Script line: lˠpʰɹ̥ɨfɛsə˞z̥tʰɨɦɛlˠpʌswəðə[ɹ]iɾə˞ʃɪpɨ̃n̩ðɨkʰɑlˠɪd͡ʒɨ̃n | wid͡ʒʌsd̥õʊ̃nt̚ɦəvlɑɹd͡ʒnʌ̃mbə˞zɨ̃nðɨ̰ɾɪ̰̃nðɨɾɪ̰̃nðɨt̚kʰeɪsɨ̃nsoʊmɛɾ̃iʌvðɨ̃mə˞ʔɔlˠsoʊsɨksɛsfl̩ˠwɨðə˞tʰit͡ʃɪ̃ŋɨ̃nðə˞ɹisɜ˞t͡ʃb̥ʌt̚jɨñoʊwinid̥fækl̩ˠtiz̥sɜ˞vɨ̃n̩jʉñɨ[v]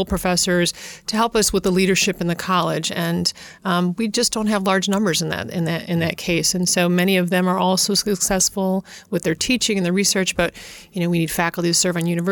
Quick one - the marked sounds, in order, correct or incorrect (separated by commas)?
incorrect, correct